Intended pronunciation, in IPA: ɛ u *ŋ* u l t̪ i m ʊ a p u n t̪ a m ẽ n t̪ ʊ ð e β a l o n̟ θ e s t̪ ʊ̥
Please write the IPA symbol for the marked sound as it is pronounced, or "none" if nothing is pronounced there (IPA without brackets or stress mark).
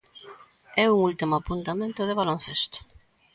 ŋ